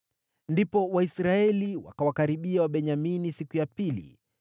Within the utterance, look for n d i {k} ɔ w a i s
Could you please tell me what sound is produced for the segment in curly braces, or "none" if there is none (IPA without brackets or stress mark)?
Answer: p